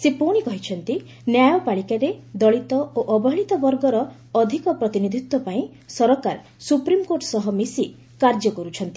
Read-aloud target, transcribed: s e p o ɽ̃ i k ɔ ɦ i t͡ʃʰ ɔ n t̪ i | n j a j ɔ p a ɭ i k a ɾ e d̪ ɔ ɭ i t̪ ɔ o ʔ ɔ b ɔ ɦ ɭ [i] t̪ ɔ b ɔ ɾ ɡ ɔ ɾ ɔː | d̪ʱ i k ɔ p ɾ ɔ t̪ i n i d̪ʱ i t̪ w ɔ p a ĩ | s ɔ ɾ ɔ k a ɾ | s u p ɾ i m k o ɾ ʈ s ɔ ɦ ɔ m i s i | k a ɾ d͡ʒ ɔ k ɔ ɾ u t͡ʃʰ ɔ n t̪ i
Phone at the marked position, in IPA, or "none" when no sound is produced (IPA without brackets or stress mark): i